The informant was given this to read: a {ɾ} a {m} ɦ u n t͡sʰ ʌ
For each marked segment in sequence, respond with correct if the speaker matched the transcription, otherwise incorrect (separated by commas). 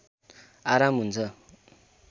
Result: correct, correct